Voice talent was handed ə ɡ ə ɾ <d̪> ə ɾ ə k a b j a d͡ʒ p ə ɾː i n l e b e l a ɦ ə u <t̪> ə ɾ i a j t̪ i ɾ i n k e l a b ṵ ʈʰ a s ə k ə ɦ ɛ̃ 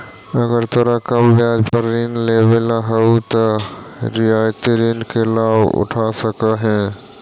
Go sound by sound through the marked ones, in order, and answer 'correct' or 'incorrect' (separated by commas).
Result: incorrect, correct